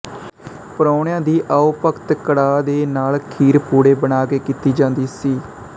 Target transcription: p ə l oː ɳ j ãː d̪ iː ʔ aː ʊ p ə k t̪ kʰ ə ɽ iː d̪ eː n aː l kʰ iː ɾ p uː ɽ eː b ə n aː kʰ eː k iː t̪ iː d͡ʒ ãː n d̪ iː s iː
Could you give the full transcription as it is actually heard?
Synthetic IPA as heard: p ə ɾ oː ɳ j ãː d̪ iː ʔ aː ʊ p ə k t̪ k ə ɽ aː d̪ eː n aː l kʰ iː ɾ p uː ɽ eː b ə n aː k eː k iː t̪ iː d͡ʒ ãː n d̪ iː s iː